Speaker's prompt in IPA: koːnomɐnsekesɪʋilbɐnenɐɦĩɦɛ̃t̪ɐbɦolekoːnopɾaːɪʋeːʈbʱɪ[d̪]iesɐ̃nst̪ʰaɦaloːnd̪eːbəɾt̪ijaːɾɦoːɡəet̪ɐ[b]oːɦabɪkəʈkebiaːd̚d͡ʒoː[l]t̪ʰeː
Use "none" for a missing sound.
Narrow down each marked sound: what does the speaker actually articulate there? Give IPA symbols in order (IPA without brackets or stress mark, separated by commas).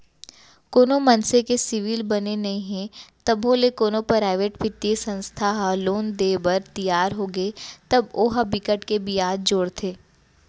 t̪, b, ɽ